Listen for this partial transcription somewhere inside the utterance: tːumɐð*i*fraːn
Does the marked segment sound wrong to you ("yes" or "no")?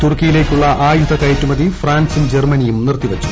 no